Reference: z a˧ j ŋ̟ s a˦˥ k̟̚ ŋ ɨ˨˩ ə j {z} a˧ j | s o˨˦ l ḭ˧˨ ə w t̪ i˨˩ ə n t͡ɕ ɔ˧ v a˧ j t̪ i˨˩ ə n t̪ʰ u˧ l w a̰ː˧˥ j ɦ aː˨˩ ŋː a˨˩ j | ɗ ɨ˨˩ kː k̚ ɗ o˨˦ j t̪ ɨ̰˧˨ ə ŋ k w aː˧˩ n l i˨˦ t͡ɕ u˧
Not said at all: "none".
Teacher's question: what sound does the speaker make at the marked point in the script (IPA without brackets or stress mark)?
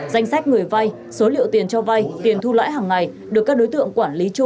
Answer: v